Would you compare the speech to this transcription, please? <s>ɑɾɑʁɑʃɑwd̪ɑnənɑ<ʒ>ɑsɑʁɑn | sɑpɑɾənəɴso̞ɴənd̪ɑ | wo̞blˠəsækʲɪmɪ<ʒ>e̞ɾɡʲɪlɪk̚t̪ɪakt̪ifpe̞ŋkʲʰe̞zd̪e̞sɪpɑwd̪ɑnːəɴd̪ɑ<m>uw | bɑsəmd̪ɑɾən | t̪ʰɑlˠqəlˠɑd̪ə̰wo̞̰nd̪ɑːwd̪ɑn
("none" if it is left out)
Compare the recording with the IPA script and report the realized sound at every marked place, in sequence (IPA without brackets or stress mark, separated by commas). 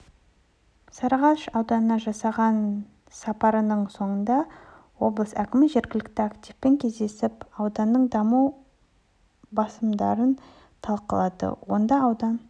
s, ʒ, ʒ, m